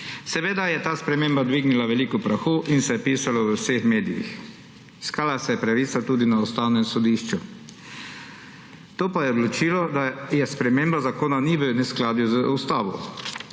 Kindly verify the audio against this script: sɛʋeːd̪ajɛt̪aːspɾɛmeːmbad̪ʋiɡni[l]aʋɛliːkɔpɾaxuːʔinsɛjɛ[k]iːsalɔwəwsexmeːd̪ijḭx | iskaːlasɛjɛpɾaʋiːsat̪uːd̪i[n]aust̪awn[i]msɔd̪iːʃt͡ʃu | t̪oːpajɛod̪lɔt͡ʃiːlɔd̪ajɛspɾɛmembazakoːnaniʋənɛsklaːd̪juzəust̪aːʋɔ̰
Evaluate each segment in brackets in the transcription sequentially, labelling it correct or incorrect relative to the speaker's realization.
correct, incorrect, correct, incorrect

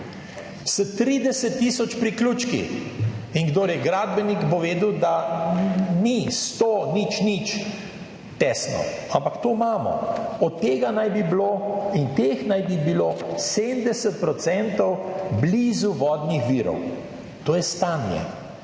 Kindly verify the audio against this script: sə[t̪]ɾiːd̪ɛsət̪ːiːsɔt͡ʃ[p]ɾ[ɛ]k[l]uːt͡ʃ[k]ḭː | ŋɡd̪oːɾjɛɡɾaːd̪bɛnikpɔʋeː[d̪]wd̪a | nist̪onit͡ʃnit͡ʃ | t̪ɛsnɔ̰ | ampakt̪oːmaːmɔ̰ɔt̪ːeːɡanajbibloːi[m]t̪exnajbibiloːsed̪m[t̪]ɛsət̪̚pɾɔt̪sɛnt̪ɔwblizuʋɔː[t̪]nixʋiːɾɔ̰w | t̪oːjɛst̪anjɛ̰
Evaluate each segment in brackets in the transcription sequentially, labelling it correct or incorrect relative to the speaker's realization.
correct, correct, incorrect, correct, correct, correct, incorrect, incorrect, incorrect

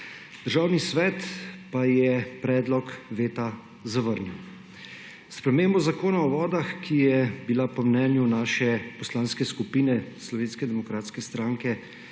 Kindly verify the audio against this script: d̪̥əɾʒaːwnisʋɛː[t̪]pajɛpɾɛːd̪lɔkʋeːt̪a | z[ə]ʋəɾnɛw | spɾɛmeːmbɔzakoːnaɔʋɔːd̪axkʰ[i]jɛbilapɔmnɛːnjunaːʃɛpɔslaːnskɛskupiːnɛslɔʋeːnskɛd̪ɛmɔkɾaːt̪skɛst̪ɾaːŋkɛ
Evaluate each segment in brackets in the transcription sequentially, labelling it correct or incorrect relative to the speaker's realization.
correct, incorrect, correct

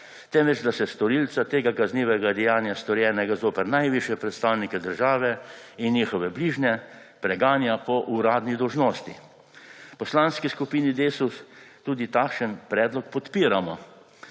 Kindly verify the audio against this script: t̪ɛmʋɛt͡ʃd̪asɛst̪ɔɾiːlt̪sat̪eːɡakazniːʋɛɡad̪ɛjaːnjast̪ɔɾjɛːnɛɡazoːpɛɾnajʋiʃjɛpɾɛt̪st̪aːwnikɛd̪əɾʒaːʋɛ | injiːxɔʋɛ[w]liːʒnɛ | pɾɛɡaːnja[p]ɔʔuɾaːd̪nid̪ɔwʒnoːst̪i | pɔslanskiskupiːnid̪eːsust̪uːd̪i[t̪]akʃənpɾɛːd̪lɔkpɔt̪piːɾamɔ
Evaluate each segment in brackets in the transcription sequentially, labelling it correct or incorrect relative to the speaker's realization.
incorrect, correct, correct

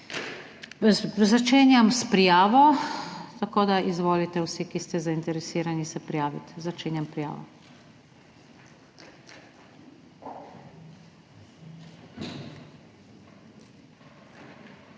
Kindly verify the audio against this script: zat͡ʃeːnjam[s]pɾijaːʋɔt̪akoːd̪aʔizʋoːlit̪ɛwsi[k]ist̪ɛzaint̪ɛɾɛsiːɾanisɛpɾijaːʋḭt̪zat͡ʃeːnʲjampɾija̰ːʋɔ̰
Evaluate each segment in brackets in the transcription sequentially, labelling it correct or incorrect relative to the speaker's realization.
correct, correct

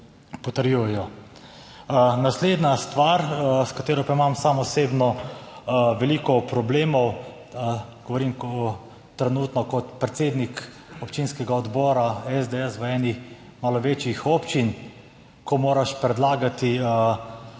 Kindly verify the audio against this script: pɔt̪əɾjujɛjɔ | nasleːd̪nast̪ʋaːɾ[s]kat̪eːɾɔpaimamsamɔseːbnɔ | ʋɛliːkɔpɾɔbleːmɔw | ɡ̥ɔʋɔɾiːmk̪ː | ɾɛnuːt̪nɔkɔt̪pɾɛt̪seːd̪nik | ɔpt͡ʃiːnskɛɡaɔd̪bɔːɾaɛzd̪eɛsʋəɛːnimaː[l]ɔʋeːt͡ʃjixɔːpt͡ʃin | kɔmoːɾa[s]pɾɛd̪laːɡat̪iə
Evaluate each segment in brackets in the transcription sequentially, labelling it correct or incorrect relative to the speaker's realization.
correct, correct, incorrect

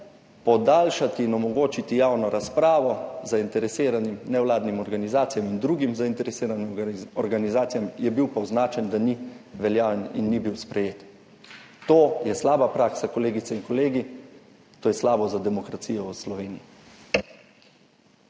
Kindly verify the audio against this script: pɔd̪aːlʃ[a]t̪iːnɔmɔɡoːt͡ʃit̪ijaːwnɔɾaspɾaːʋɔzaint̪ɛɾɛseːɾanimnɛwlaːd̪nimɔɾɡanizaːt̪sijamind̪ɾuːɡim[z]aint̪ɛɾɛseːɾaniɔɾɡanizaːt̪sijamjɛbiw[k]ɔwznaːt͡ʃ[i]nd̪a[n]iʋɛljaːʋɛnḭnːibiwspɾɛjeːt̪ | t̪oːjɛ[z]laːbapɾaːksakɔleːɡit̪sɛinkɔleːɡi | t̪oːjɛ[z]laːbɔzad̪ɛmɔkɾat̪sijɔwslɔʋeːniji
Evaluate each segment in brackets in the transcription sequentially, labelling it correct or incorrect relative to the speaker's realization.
correct, correct, incorrect, incorrect, correct, incorrect, incorrect

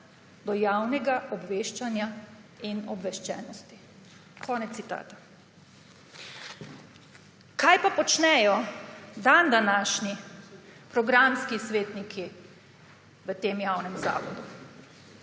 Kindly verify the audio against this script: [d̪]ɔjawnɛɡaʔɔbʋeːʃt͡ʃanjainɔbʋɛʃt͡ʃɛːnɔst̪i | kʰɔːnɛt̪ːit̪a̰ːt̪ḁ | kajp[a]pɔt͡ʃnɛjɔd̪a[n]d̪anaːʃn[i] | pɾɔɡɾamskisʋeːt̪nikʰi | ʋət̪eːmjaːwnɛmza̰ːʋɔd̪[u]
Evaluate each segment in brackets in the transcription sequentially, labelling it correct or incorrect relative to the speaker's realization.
correct, correct, correct, correct, correct

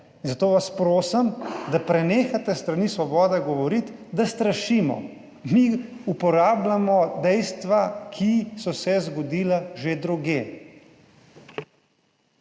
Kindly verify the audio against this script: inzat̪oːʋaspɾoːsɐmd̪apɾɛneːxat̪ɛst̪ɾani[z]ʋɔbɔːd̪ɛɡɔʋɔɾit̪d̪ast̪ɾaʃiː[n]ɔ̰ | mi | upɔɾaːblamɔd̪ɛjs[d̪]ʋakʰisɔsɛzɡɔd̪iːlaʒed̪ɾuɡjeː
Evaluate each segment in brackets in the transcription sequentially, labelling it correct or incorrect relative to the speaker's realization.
incorrect, incorrect, incorrect

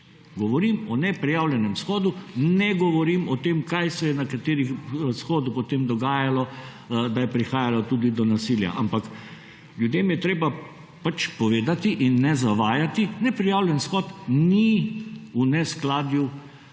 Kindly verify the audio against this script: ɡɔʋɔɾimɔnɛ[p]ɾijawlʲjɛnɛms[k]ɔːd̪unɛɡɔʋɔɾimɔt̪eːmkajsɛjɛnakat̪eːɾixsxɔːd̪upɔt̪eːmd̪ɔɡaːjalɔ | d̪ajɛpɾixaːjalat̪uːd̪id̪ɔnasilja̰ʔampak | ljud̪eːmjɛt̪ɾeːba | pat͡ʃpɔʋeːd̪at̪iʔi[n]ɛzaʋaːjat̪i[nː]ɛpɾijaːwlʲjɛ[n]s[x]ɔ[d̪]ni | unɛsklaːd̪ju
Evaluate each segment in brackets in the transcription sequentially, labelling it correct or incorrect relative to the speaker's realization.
correct, incorrect, incorrect, incorrect, correct, correct, incorrect

